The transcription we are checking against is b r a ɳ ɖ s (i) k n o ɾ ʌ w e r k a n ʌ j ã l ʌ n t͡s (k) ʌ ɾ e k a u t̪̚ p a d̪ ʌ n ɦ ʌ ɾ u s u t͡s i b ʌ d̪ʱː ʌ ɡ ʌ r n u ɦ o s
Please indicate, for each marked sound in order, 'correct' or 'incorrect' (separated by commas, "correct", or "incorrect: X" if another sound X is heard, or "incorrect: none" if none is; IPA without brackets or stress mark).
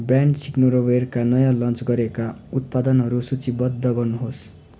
correct, incorrect: ɡ